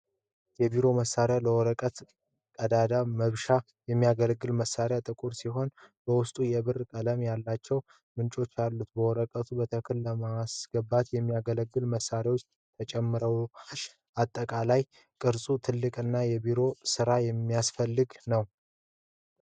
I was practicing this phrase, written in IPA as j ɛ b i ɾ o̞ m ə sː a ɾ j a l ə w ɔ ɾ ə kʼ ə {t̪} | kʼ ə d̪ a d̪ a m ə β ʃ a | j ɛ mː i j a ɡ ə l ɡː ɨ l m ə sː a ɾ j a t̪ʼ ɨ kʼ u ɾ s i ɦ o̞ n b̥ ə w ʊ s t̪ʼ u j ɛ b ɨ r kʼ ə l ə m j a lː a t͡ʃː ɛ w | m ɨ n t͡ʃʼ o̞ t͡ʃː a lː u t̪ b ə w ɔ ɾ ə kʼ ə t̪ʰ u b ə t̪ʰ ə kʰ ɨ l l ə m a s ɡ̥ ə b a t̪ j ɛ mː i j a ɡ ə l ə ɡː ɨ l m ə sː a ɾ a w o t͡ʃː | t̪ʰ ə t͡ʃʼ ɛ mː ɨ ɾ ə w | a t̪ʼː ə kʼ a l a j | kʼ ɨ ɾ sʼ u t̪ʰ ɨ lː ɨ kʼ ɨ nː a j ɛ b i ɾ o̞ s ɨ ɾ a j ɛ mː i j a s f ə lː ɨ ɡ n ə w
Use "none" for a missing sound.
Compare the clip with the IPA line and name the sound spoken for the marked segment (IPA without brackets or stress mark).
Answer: t̪